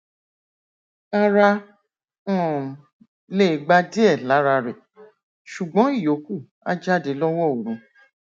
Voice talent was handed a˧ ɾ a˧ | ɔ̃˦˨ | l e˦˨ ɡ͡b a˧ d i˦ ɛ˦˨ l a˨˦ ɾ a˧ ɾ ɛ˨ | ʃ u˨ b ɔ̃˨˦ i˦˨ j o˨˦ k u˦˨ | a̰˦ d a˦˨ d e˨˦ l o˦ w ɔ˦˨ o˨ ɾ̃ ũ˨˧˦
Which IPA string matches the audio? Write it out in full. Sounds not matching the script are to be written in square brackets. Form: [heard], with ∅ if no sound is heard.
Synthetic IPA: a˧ ɾ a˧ | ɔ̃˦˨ | l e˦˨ ɡ͡b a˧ d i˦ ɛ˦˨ l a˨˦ ɾ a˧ ɾ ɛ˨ | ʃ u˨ [ɡ͡b] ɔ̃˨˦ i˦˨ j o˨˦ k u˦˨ | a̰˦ [d͡ʒ] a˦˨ d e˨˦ l [ɔ˦] w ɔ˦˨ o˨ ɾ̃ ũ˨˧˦